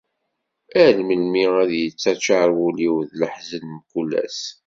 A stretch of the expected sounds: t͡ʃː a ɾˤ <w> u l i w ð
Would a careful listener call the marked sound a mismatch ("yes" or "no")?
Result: no